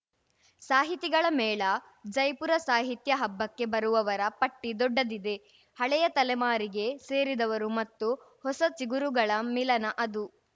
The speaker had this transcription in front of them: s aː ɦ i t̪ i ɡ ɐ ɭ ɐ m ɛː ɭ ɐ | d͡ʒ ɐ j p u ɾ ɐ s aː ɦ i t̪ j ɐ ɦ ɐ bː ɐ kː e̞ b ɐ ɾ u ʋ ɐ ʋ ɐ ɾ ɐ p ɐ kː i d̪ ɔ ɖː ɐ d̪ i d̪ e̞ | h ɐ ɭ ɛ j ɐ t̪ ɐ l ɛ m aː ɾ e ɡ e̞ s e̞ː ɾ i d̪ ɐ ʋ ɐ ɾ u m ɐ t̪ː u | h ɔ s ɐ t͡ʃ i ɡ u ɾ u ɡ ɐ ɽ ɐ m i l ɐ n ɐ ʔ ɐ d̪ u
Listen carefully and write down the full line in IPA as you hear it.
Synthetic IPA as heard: s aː ɦ i t̪ i ɡ ɐ ɭ ɐ m ɛː ɭ ɐ | d͡ʒ ɐ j p u ɾ ɐ s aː ɦ i t̪ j ɐ ɦ ɐ bː ɐ kː e̞ b ɐ ɾ u ʋ ɐ ʋ ɐ ɾ ɐ p ɐ ʈː i d̪ ɔ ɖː ɐ d̪ i d̪ e̞ | h ɐ ɭ ɛ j ɐ t̪ ɐ l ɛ m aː ɾ i ɡ e̞ s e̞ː ɾ i d̪ ɐ ʋ ɐ ɾ u m ɐ t̪ː u | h ɔ s ɐ t͡ʃ i ɡ u ɾ u ɡ ɐ ɭ ɐ m i l ɐ n ɐ ʔ ɐ d̪ u